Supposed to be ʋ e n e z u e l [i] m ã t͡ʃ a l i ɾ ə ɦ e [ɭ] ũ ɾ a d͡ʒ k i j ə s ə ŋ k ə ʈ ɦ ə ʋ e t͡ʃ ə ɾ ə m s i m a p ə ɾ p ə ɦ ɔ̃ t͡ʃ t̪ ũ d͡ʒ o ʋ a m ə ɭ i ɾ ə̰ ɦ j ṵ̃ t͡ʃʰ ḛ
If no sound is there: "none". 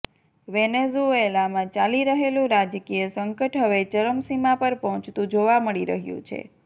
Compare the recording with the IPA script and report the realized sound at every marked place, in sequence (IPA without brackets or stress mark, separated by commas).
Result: a, l